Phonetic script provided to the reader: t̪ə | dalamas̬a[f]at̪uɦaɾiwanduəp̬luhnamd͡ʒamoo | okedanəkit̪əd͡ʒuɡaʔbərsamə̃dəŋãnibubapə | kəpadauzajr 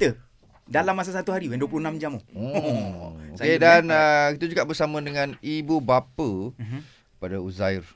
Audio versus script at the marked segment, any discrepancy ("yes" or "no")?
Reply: yes